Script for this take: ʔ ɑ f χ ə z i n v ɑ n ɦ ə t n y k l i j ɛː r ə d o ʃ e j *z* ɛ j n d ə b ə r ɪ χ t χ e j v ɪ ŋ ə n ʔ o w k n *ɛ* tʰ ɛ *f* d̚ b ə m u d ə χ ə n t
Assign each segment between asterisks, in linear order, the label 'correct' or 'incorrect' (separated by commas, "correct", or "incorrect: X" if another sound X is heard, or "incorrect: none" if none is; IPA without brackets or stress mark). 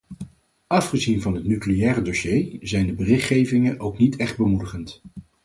correct, incorrect: i, incorrect: χ